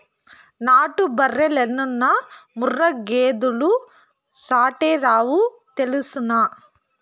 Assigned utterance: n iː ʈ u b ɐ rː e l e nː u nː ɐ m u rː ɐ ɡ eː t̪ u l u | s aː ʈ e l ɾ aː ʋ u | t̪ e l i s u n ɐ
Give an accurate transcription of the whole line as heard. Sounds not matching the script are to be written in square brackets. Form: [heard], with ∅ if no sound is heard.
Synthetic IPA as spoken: n [aː] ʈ u b ɐ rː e l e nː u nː ɐ m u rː ɐ ɡ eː [d̪] u l u | s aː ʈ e [∅] ɾ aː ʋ u | t̪ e l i s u n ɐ